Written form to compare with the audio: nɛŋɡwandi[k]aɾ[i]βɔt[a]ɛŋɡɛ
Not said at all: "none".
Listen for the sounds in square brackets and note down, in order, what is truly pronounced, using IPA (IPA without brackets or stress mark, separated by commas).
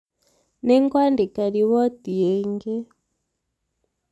k, i, i